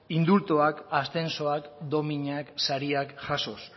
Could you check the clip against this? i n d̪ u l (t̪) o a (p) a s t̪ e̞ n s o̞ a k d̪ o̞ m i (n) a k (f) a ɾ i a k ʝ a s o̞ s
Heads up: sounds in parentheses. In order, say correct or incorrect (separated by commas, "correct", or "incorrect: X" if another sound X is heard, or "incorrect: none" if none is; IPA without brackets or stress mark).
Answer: correct, incorrect: k, incorrect: ɲ, incorrect: s